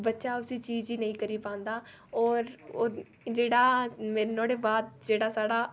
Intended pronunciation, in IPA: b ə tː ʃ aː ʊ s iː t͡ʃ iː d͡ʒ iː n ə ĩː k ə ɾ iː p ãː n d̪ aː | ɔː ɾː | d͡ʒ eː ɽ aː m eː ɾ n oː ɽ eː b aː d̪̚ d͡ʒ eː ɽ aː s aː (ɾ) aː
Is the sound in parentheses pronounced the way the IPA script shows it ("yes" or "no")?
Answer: no